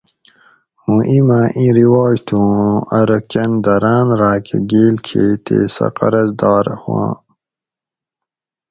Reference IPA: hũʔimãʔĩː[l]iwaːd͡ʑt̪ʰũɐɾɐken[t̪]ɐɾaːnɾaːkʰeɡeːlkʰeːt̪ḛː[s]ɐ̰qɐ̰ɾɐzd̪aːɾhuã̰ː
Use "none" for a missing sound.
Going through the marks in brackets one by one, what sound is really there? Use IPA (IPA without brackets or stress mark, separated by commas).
ɾ, d̪, s